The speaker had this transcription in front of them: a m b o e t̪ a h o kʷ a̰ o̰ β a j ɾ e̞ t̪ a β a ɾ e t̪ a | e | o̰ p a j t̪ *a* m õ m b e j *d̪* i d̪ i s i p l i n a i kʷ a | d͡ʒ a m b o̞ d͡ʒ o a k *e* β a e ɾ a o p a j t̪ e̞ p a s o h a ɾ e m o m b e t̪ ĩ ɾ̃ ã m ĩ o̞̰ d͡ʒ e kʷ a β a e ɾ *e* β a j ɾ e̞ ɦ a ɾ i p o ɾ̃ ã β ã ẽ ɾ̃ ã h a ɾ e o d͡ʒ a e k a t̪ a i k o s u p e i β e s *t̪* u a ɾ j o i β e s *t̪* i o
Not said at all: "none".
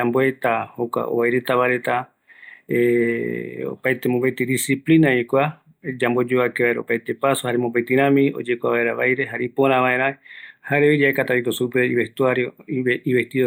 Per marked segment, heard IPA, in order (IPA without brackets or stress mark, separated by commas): e, t̪, e, a, t̪, t̪